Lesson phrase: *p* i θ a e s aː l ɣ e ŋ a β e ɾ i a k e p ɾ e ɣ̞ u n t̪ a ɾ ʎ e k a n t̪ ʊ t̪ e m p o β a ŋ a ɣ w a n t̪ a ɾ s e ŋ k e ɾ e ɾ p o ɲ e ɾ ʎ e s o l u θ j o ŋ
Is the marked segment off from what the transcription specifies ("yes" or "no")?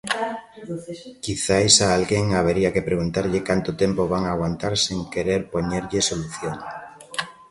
yes